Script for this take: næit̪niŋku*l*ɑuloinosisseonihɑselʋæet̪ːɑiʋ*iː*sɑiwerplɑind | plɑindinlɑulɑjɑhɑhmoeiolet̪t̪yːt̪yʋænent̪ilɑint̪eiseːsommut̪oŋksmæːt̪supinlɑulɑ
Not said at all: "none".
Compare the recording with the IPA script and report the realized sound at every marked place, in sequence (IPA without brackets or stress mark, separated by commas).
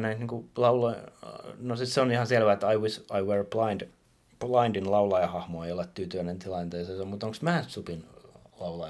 l, i